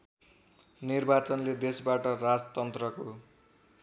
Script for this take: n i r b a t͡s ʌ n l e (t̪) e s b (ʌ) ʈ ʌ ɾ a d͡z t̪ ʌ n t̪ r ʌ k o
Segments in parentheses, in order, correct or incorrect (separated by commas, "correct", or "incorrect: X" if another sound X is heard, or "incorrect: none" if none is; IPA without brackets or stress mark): incorrect: d̪, incorrect: a